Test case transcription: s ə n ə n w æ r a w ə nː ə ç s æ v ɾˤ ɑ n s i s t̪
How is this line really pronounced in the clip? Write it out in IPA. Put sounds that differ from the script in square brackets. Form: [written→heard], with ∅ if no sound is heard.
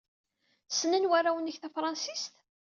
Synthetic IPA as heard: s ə n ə n w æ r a w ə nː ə ç [s→θ] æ [v→f] ɾˤ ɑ n s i s t̪

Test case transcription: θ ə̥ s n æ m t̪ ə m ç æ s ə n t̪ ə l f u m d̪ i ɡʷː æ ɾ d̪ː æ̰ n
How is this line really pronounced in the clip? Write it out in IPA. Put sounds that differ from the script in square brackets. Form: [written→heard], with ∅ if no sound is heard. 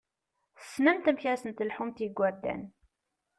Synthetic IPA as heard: θ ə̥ s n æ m t̪ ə m ç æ s ə n t̪ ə l [f→ħ] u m [d̪→t̪] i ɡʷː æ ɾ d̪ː æ̰ n

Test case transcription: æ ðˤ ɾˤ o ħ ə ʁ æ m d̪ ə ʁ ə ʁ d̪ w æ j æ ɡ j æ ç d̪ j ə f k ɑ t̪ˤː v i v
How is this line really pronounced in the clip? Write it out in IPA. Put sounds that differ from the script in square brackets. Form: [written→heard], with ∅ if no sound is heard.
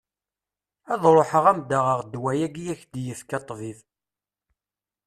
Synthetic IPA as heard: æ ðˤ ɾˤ o ħ ə ʁ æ m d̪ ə ʁ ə ʁ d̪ w æ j æ ɡ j æ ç d̪ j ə f k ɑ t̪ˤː v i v

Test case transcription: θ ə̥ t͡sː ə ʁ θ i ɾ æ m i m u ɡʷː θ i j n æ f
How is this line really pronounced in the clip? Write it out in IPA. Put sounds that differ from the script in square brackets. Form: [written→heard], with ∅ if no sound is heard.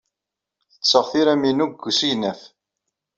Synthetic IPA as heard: θ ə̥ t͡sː ə ʁ θ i ɾ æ m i [m→n] u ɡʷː [θ→s] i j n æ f

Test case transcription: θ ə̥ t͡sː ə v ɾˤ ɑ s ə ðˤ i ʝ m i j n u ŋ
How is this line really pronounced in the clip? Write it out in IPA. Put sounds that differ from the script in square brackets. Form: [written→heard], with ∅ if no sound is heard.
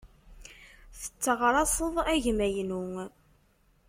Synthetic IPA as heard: θ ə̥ t͡sː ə [v→ʁ] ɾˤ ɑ s ə ðˤ [i→æ] ʝ m [i→æ] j n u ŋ

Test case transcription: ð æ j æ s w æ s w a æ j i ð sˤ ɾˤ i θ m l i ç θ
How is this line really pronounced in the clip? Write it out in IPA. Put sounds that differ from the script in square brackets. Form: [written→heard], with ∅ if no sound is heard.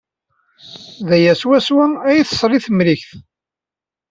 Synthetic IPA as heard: ð æ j æ s w æ s w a æ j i [ð→θ] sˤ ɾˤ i θ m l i ç θ

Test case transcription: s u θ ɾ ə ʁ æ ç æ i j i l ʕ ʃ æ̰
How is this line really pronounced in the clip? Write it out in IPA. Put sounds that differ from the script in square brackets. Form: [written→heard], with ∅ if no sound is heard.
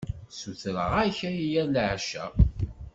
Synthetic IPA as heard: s u θ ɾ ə ʁ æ ç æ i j [i→æ] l ʕ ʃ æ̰

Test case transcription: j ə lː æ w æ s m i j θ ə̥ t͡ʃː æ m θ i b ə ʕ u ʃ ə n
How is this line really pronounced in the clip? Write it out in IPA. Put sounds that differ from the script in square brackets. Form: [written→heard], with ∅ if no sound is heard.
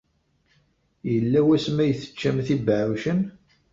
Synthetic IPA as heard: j ə lː æ w æ s m [i→æ] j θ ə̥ t͡ʃː æ m θ i b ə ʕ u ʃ ə n

